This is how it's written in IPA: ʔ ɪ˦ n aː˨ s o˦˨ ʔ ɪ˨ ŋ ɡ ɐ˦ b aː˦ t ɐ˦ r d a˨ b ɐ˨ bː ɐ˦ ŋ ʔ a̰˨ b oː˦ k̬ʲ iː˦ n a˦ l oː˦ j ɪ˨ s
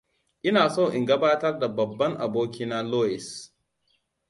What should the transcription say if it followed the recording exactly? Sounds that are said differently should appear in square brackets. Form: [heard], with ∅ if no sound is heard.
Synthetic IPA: ʔ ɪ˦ n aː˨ s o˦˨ ʔ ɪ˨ ŋ ɡ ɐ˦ b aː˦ t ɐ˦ r d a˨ b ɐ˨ bː ɐ˦ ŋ ʔ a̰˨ b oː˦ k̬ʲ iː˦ n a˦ l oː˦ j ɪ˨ s